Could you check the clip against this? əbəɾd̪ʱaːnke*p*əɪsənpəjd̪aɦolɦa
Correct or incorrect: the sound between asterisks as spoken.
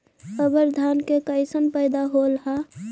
incorrect: k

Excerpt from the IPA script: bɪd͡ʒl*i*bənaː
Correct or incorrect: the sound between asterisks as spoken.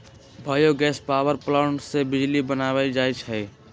correct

